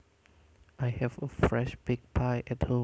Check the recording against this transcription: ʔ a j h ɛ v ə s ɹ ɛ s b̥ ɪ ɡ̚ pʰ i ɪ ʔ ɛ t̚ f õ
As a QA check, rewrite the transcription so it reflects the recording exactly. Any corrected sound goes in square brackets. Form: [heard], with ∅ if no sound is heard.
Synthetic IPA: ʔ a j h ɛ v ə [f] ɹ ɛ [ʃ] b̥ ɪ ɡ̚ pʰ [a] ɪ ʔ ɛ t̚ [h] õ